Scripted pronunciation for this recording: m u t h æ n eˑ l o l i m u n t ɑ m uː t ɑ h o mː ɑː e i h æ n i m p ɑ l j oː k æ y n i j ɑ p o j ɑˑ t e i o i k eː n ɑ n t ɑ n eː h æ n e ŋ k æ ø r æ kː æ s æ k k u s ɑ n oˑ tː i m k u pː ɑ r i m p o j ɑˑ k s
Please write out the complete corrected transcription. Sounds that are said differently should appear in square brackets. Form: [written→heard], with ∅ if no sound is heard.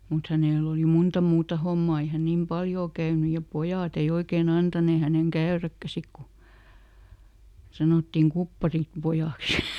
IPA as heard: m u t h æ n eˑ l o l i m u n t ɑ m uː t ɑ h o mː ɑː e i h æ n i m p ɑ l j oː k æ y n [i→y] j ɑ p o j ɑˑ t e i o i k eː n ɑ n t ɑ n eː h æ n e ŋ k æ ø r æ kː æ s [æ→i] k k u s ɑ n oˑ tː i m k u pː ɑ r i m p o j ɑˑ k s